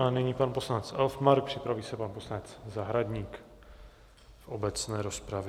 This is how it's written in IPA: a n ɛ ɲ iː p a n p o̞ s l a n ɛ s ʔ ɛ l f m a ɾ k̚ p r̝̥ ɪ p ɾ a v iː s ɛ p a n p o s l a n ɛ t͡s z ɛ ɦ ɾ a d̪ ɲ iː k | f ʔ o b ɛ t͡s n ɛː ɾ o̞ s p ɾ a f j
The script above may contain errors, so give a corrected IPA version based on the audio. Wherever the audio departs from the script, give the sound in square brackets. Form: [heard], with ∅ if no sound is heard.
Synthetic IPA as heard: a n ɛ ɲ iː p a n p o̞ s l a n ɛ [t͡s] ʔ ɛ l f m a ɾ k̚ p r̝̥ ɪ p ɾ a v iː s ɛ p a n p o s l a n ɛ t͡s z [a] ɦ ɾ a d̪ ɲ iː k | f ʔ o b ɛ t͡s n ɛː ɾ o̞ s p ɾ a [v] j